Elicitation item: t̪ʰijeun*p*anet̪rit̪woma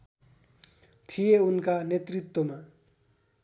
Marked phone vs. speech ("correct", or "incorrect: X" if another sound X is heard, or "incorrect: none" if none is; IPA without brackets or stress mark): incorrect: k